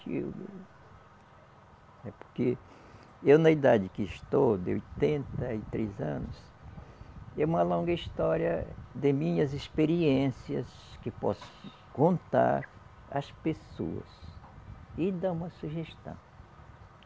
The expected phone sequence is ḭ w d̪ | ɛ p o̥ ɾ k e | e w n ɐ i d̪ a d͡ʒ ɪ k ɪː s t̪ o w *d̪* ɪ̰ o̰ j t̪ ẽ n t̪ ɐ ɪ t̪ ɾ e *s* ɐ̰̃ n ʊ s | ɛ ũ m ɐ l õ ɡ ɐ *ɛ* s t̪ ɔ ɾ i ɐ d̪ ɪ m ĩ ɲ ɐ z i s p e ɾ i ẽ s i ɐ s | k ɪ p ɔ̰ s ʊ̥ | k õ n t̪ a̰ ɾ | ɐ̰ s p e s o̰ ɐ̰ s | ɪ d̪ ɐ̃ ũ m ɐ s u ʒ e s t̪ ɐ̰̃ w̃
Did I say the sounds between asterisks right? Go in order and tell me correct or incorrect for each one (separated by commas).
correct, incorrect, incorrect